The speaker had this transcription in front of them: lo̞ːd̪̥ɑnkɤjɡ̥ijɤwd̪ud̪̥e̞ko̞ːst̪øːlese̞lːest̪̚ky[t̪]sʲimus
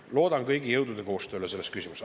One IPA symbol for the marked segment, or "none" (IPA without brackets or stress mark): none